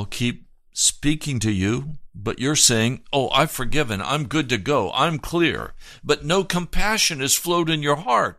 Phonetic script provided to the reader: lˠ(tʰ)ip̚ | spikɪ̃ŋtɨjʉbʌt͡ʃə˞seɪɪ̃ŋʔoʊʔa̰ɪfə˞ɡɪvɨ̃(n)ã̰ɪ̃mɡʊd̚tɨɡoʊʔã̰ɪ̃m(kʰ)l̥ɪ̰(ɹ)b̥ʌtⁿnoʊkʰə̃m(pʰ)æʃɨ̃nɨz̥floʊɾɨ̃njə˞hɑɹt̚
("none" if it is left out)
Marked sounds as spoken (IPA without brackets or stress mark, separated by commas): kʰ, n, kʰ, ɹ, pʰ